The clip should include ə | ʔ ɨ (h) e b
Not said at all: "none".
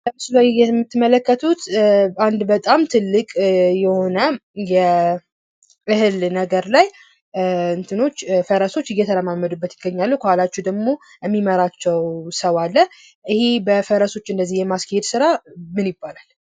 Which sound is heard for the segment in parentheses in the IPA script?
h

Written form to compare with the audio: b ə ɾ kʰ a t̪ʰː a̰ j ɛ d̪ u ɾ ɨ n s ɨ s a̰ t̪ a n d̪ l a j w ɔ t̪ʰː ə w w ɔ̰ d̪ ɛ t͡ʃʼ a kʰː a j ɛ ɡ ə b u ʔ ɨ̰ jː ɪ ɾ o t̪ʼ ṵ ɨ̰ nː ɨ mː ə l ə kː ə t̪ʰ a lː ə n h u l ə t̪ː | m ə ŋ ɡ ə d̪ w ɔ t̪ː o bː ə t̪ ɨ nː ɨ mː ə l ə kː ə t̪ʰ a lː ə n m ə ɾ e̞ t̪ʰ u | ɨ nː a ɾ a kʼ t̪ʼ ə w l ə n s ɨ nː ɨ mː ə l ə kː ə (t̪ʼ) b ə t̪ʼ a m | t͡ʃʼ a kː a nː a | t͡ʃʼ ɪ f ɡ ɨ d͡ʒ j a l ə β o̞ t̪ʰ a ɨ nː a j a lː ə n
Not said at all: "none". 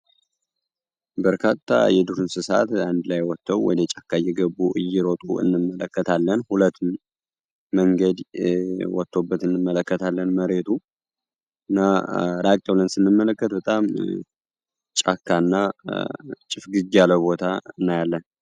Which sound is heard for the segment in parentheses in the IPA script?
t̪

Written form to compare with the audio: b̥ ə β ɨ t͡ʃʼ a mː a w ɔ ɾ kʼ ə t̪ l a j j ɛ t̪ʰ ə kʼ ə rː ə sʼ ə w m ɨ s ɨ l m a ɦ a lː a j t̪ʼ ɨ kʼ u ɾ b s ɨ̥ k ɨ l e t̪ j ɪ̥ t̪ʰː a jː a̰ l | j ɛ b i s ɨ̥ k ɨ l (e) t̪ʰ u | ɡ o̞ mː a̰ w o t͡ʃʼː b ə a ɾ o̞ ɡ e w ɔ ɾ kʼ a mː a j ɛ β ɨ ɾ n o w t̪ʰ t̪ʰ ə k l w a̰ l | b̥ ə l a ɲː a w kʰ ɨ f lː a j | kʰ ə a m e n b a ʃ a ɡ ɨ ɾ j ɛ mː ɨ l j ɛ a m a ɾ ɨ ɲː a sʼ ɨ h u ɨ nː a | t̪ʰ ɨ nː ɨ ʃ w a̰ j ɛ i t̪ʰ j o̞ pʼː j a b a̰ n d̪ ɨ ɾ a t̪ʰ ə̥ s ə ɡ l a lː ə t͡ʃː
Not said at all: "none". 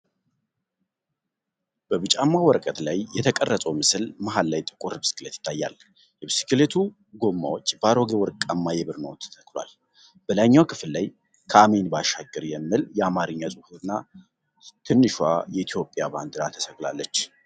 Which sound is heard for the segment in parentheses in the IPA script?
e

